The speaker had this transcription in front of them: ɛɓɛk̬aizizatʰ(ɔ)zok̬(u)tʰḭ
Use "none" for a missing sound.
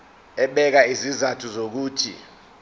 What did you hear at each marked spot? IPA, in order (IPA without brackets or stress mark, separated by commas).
u, uː